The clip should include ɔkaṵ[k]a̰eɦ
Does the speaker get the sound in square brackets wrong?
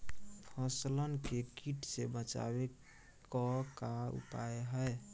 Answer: yes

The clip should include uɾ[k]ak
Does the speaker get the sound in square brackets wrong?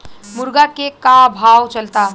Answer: yes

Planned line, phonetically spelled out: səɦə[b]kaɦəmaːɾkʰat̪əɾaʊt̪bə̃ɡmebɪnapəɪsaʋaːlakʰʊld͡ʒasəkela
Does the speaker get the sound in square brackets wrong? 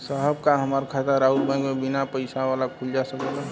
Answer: no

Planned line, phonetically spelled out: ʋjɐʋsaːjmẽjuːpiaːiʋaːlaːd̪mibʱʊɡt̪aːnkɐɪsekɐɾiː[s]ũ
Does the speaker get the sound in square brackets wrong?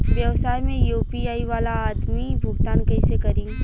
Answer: yes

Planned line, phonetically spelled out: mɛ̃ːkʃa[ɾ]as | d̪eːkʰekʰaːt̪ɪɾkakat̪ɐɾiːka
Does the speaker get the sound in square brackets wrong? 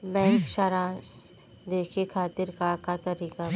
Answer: no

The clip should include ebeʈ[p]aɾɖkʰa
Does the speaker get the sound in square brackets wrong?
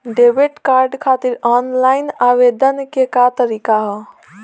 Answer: yes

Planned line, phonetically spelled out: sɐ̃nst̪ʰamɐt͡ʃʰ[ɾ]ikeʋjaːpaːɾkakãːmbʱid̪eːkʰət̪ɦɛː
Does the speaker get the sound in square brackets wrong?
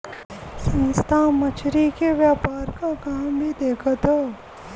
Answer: no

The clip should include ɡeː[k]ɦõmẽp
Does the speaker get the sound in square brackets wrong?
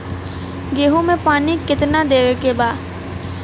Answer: yes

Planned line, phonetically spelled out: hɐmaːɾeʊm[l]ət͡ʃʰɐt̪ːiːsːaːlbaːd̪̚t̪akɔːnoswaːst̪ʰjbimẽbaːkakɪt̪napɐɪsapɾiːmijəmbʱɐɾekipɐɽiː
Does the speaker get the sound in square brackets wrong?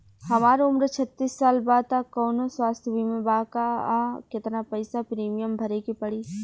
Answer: yes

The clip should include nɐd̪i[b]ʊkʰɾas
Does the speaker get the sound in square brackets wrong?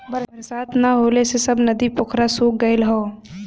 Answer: yes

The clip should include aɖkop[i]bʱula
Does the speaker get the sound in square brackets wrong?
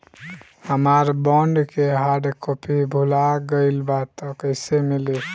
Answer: no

